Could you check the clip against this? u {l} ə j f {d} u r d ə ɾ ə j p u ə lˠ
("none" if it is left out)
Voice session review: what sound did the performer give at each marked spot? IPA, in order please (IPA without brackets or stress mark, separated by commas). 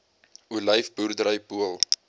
l, b